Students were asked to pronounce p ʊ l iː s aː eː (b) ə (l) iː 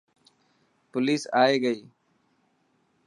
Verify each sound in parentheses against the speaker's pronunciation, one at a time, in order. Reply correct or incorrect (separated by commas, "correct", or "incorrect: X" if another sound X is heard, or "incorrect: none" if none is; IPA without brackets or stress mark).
incorrect: ɡ, incorrect: none